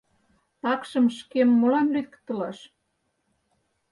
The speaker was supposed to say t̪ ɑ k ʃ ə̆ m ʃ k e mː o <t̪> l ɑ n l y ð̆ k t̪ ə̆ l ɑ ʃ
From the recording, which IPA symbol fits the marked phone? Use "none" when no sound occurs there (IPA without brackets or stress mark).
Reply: none